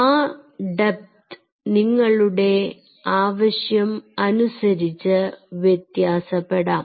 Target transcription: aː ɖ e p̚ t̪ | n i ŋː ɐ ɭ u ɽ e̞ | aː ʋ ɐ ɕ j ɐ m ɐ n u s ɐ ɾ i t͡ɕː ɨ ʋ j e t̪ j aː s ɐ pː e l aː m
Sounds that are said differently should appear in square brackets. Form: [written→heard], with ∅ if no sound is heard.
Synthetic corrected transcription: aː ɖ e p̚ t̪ | n i ŋː ɐ ɭ u ɽ e̞ | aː ʋ ɐ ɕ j ɐ m ɐ n u s ɐ ɾ i t͡ɕː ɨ ʋ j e t̪ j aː s ɐ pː e [l→ɽ] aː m